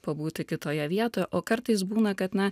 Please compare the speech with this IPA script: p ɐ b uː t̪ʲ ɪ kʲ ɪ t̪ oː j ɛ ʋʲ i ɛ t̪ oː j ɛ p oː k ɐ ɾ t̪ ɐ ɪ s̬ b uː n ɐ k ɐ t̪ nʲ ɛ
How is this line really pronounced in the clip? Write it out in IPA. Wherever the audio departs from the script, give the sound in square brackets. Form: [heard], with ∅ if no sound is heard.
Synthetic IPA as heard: p ɐ b uː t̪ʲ ɪ kʲ ɪ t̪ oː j ɛ ʋʲ i ɛ t̪ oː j ɛ [ʔ] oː k ɐ ɾ t̪ ɐ ɪ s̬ b uː n ɐ k ɐ t̪ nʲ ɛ